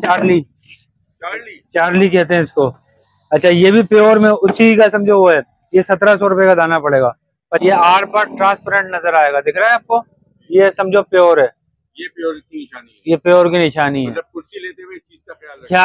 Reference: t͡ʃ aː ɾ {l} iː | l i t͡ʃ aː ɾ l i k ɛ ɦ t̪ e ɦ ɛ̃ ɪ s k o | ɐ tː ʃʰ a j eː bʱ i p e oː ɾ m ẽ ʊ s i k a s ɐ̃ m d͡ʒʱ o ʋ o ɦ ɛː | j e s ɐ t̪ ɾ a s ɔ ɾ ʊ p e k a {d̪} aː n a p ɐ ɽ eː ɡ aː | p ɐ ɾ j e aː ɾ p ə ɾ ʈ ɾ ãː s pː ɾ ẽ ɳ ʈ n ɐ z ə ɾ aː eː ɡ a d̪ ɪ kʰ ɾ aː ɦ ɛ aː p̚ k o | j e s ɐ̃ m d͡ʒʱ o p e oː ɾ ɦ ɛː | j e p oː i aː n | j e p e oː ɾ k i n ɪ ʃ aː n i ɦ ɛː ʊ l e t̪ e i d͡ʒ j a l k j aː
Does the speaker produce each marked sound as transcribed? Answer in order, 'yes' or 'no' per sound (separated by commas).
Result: yes, yes